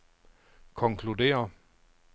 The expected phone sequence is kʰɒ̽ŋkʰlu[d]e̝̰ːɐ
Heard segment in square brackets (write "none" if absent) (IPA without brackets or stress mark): d